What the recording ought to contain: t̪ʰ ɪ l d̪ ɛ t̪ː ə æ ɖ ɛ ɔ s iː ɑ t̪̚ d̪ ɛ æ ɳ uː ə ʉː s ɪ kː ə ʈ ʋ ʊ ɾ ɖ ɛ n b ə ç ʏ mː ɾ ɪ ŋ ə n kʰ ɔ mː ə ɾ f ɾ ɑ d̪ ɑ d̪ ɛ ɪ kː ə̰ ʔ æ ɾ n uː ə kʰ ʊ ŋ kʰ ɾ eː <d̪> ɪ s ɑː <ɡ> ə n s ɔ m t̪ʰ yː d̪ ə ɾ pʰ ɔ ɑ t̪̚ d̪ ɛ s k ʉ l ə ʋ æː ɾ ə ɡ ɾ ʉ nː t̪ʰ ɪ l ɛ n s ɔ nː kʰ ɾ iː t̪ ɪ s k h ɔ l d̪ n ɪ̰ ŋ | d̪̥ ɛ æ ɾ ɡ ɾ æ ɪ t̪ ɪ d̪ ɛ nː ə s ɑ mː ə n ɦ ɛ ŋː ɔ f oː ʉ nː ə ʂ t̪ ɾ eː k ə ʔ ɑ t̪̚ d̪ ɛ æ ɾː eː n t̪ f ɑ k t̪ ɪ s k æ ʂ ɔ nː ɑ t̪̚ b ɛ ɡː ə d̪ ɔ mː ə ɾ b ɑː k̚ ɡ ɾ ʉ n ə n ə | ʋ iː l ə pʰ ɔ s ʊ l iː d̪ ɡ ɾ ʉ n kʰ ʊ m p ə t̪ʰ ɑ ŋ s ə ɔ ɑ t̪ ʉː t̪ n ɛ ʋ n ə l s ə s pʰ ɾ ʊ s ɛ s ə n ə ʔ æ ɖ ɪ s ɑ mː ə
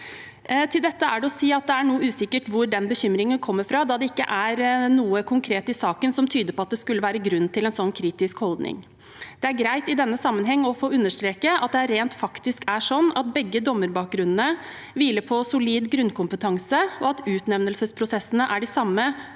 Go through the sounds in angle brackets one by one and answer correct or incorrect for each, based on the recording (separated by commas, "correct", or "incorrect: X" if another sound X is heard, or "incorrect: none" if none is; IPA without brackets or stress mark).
incorrect: t̪, incorrect: k